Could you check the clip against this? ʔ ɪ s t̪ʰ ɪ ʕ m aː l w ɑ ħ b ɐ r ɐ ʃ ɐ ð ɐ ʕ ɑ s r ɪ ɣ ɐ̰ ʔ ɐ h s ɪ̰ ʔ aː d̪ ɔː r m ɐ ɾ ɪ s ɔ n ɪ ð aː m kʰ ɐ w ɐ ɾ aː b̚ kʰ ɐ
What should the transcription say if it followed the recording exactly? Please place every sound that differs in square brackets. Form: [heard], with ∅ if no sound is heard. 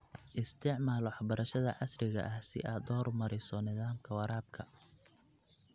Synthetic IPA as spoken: ʔ ɪ s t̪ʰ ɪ ʕ m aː l w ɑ ħ b ɐ [ɾ] ɐ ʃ ɐ ð ɐ ʕ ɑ s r ɪ ɣ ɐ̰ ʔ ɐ h s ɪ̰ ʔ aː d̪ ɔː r m ɐ ɾ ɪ s ɔ n ɪ ð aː m kʰ ɐ w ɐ ɾ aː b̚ kʰ ɐ